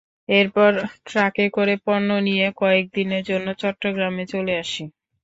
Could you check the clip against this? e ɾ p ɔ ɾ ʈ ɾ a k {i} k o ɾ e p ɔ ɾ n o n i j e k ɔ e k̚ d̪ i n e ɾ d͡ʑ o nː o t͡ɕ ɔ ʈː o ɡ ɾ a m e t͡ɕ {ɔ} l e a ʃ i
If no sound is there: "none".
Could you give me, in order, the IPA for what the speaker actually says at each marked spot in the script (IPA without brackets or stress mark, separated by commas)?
e, o